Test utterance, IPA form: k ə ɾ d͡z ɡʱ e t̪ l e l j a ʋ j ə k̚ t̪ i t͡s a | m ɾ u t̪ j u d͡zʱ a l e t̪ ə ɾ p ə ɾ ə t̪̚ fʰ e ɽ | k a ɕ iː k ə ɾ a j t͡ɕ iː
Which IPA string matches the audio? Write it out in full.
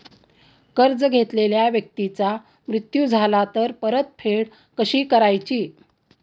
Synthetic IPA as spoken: k ə ɾ d͡z ɡʱ e t̪ l e l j a ʋ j ə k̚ t̪ i t͡s a | m ɾ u t̪ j u d͡zʱ a l a t̪ ə ɾ p ə ɾ ə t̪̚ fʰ e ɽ | k ə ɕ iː k ə ɾ a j t͡ɕ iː